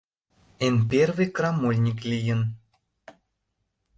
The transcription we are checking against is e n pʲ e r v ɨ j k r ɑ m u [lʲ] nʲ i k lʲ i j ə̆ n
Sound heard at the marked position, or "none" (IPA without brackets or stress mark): lʲ